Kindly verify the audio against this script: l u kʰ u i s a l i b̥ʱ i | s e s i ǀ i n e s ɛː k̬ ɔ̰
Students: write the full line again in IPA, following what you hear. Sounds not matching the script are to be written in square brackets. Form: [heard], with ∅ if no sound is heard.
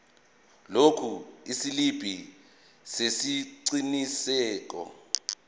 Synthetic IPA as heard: l [o] kʰ u i s [i] l i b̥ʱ i | s e s i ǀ i n [i] s ɛː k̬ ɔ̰